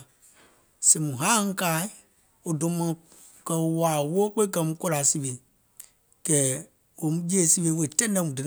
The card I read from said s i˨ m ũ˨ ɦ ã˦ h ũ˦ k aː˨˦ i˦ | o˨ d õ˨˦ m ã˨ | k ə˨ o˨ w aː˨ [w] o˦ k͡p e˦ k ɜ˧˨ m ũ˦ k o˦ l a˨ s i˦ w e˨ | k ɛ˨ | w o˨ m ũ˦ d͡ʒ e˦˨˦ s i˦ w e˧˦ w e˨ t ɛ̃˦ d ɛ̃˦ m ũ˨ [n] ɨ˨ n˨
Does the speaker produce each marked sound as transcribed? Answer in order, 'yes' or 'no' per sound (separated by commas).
yes, no